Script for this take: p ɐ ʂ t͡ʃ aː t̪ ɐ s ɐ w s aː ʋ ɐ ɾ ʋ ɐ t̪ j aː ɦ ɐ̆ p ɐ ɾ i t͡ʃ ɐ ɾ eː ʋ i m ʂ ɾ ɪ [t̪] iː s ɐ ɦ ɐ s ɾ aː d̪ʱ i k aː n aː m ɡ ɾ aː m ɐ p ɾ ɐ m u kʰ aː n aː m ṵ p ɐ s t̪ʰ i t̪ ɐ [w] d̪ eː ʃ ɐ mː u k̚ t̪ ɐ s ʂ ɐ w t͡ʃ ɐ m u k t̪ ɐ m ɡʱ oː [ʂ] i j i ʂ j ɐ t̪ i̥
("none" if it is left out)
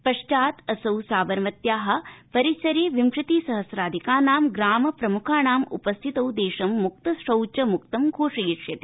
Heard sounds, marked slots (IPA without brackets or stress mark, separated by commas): t̪, w, ʂ